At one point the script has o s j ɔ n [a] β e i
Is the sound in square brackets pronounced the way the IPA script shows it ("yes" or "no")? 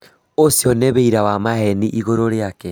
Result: no